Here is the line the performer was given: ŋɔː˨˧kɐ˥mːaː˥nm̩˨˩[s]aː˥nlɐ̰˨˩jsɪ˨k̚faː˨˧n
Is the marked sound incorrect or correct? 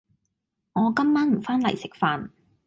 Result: incorrect